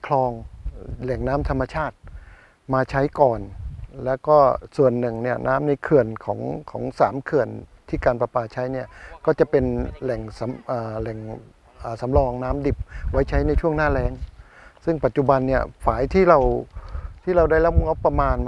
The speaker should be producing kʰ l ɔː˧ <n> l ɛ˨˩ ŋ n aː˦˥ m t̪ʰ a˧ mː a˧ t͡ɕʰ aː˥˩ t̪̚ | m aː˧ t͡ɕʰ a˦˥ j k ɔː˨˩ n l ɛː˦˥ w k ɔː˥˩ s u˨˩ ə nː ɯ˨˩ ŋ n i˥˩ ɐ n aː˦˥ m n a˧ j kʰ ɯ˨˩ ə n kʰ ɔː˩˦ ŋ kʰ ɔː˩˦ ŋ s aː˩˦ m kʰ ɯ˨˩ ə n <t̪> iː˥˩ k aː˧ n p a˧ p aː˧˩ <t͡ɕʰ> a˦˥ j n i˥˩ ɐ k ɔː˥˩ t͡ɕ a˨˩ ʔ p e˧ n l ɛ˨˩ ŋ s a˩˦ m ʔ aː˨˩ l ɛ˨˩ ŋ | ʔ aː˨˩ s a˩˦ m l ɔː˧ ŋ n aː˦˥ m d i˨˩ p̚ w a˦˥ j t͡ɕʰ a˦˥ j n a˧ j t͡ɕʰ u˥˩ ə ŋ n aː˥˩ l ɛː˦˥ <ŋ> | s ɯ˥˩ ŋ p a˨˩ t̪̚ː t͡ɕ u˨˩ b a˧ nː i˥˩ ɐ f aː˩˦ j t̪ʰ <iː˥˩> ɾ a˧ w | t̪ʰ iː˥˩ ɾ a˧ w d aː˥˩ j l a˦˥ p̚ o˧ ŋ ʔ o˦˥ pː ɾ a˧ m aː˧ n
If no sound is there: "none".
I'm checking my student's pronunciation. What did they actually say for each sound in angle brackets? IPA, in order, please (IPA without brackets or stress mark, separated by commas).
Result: ŋ, t̪ʰ, t͡ɕʰ, ŋ, iː˥˩